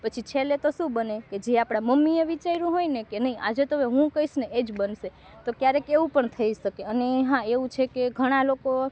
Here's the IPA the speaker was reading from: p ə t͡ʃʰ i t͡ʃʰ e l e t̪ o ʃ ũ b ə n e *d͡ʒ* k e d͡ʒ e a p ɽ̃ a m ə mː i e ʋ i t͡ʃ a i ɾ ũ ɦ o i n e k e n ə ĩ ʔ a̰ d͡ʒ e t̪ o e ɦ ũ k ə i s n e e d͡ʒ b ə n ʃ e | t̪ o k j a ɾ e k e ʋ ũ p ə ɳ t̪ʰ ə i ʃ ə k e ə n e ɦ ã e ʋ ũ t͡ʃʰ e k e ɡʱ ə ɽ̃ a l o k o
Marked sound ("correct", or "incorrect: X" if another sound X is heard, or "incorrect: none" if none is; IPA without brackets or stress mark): incorrect: none